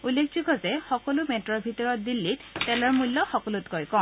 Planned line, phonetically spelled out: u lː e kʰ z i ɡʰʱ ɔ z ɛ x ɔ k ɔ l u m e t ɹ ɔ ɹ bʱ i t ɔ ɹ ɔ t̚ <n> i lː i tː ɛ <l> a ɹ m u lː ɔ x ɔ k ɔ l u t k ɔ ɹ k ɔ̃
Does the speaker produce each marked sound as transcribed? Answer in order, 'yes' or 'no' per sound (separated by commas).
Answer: no, yes